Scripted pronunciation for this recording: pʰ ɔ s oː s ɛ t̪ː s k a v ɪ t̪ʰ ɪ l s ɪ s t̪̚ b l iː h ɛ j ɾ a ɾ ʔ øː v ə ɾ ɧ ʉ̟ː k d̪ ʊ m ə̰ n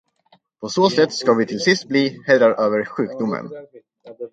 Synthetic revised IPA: pʰ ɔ s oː s ɛ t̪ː s k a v ɪ t̪ʰ ɪ l s ɪ s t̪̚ b l iː h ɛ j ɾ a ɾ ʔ øː v ə ɾ ɧ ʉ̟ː k d̪ ʊ m ə̰ n